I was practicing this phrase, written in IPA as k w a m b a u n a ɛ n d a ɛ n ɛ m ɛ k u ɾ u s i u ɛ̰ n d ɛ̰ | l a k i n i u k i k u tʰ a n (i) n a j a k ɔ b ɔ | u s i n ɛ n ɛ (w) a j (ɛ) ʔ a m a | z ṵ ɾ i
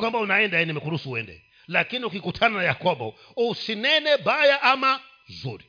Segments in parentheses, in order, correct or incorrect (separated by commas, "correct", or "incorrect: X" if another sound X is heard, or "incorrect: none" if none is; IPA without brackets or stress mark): incorrect: a, incorrect: b, incorrect: a